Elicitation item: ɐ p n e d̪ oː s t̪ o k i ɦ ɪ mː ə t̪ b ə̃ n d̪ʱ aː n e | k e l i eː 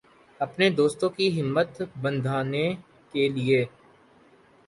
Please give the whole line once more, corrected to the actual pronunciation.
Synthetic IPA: ɐ p n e d̪ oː s t̪ õ k i ɦ ɪ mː ə t̪ b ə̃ n d̪ʱ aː n e | k e l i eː